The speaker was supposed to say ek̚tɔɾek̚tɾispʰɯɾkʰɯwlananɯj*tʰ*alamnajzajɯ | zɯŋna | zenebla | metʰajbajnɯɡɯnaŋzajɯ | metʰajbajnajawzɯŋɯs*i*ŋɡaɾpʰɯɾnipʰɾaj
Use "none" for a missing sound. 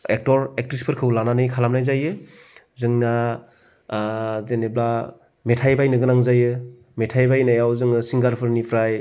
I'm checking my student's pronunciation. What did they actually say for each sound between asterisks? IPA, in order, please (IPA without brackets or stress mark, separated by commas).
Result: kʰ, i